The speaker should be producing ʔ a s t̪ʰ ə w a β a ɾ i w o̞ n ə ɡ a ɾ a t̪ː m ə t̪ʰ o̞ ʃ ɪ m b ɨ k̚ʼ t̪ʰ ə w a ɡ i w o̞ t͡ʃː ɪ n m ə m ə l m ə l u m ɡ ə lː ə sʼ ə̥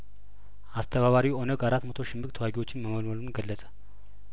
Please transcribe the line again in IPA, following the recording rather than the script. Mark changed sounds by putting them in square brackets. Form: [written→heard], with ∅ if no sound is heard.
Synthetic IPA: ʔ a s t̪ʰ ə [w→β] a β a ɾ i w o̞ n ə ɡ a ɾ a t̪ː m ə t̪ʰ o̞ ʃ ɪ m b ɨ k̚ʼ t̪ʰ ə w a ɡ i w o̞ t͡ʃː ɪ n m ə m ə l m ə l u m ɡ ə lː ə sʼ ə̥